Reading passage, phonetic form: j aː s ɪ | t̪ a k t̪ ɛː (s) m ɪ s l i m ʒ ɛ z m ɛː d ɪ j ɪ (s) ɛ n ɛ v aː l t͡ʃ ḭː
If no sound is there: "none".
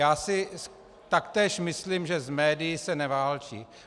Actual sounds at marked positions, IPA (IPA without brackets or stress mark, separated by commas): ʃ, s